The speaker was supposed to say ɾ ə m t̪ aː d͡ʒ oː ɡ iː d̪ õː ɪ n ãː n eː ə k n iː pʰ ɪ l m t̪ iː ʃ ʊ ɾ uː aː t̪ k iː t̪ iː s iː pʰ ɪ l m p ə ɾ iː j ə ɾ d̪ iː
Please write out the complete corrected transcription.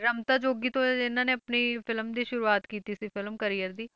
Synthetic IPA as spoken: ɾ ə m t̪ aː d͡ʒ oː ɡ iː t̪ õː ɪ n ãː n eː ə p n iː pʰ ɪ l m d̪ iː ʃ ʊ ɾ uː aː t̪ k iː t̪ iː s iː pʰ ɪ l m k ə ɾ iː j ə ɾ d̪ iː